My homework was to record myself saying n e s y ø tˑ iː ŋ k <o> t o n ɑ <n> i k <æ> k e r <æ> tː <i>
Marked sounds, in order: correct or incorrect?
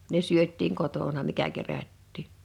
correct, incorrect, correct, correct, incorrect

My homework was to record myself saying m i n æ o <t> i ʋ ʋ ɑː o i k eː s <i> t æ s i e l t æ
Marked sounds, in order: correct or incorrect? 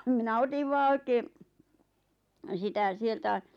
correct, correct

